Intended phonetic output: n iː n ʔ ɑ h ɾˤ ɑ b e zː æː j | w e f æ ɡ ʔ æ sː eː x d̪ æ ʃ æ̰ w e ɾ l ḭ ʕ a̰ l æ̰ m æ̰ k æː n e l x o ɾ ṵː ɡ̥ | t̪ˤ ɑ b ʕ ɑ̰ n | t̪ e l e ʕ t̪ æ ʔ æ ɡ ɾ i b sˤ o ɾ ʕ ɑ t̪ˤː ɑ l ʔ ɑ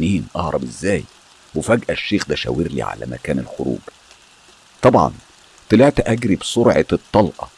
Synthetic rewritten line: n iː n ʔ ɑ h ɾˤ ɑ b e zː æː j | w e f æ ɡ ʔ æ ʃː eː x d̪ æ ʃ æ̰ w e ɾ l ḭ ʕ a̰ l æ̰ m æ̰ k æː n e l x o ɾ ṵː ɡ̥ | t̪ˤ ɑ b ʕ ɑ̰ n | t̪ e l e ʕ t̪ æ ʔ æ ɡ ɾ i b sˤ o ɾ ʕ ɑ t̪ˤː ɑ l ʔ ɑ